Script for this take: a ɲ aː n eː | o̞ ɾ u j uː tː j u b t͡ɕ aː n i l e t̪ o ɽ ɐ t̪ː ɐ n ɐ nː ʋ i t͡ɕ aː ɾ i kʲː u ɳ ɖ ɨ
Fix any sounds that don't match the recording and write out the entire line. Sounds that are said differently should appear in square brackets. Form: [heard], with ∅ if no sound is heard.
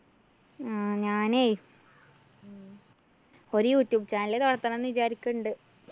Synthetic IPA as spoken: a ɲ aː n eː | o̞ ɾ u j uː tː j [uː] b t͡ɕ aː n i l e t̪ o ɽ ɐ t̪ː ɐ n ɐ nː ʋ i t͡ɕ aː ɾ i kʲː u ɳ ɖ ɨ